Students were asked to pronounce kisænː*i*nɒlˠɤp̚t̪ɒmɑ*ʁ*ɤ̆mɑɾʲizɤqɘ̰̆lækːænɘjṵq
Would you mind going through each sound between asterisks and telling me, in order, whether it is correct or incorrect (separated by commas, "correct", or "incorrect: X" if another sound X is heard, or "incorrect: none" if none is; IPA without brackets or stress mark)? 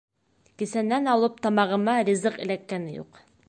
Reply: incorrect: æ, correct